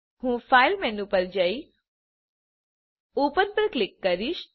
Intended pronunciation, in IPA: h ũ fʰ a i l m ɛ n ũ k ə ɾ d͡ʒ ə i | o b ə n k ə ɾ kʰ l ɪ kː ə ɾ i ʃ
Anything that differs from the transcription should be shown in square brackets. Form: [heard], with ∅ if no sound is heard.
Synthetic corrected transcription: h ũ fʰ a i l m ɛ n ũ [p] ə ɾ d͡ʒ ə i | o [p] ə n [p] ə ɾ [k] l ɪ kː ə ɾ i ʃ